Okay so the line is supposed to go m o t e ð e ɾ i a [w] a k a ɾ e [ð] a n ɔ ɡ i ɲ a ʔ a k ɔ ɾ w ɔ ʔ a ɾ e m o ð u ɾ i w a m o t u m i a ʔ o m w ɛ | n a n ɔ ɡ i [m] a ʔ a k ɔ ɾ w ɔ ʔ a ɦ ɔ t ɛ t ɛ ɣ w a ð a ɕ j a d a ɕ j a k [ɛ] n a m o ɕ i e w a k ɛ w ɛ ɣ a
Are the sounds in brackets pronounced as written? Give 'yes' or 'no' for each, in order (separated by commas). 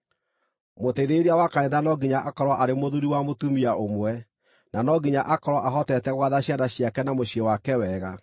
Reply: yes, yes, no, yes